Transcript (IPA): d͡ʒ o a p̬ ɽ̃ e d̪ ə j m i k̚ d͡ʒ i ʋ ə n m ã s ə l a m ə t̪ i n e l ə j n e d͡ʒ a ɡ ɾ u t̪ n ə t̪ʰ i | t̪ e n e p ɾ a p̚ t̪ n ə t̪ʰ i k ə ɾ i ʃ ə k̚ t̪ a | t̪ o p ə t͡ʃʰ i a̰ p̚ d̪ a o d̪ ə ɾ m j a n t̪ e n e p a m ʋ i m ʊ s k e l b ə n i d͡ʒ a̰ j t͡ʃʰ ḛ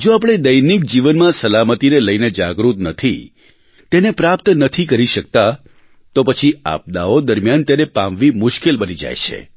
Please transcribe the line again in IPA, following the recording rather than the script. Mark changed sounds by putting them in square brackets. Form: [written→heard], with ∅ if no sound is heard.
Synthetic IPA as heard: d͡ʒ o a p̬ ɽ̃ e d̪ ə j [m→n] i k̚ d͡ʒ i ʋ ə n m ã s ə l a m ə t̪ i n e l ə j n e d͡ʒ a ɡ ɾ u t̪ n ə t̪ʰ i | t̪ e n e p ɾ a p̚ t̪ n ə t̪ʰ i k ə ɾ i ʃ ə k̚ t̪ a | t̪ o p ə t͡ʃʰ i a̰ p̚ d̪ a o d̪ ə ɾ m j a n t̪ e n e p a m ʋ i m ʊ [s→ʃ] k e l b ə n i d͡ʒ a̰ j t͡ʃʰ ḛ